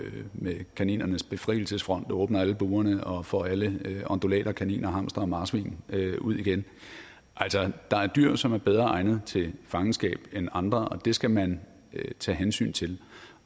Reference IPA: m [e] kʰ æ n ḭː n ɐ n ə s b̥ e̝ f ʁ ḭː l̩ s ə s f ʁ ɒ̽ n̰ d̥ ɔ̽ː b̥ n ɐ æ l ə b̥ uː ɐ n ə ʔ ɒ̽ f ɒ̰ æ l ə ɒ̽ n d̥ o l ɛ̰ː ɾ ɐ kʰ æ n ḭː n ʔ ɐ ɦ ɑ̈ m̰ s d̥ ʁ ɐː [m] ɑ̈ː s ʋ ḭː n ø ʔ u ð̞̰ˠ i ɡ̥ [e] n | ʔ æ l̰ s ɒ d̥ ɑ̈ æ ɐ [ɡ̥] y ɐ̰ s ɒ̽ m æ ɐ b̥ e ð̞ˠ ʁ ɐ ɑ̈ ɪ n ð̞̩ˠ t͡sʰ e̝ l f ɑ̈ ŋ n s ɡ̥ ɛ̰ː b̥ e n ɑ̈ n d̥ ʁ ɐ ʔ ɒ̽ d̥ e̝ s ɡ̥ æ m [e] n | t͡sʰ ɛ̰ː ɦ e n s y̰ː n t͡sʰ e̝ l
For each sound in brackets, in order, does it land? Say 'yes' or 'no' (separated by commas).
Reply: yes, yes, yes, no, no